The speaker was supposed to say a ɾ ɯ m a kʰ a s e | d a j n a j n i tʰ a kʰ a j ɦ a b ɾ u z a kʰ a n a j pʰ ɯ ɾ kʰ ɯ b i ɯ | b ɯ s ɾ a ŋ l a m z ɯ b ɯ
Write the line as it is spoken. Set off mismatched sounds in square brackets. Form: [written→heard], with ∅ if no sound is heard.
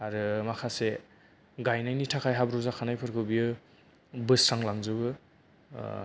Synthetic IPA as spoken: a ɾ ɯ m a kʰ a s e | [d→ɡ] a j n a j n i tʰ a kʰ a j ɦ a b ɾ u z a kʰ a n a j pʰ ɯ ɾ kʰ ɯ b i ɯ | b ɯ s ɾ a ŋ l a [m→ŋ] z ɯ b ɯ